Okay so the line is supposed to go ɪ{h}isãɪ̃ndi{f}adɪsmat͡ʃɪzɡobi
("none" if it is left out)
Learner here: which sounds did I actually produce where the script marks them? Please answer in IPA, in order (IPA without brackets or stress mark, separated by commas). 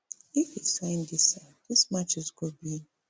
f, s